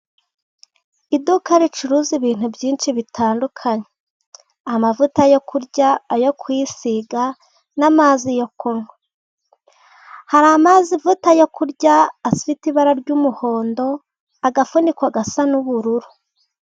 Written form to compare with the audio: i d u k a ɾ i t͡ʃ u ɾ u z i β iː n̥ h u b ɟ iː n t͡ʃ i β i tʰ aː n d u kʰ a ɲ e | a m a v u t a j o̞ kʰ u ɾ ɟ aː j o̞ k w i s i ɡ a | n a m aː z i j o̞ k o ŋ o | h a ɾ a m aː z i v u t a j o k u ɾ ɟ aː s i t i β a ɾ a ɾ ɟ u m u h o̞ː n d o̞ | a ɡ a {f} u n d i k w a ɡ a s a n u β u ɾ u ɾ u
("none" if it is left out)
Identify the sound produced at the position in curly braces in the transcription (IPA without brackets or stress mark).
f